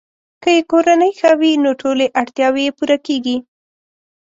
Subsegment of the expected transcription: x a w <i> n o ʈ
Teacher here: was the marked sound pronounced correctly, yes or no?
yes